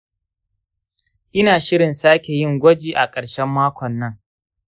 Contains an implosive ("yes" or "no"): no